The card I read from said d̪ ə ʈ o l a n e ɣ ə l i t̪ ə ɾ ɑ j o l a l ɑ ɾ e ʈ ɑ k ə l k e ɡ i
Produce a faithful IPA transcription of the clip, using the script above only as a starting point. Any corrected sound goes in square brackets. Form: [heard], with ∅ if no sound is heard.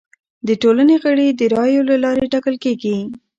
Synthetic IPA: d̪ ə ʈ o l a n e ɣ ə [ɽ] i [d̪] ə ɾ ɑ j o l a l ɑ ɾ e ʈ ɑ k ə l k e ɡ i